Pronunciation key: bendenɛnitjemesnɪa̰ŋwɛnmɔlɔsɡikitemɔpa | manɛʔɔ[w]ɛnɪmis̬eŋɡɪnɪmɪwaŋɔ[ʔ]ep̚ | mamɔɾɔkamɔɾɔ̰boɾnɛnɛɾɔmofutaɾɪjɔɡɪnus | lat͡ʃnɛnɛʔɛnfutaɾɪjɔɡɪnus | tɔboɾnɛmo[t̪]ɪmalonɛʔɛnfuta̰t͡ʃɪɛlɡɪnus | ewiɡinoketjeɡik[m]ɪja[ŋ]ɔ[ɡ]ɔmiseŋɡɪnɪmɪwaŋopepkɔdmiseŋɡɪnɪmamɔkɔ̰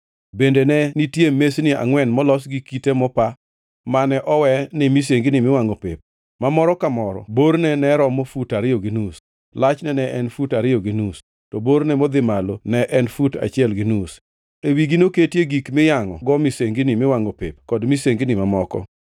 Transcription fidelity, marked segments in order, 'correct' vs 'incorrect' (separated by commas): correct, incorrect, incorrect, correct, correct, correct